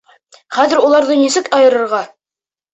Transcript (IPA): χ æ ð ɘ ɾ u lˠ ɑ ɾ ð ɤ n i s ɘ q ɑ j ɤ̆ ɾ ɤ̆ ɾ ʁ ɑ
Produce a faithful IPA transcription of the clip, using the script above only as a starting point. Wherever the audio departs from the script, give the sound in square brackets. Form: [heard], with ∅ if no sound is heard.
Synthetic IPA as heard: χ æ ð ɘ ɾ u lˠ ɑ ɾ ð ɤ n i s ɘ [k] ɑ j ɤ̆ ɾ ɤ̆ ɾ ʁ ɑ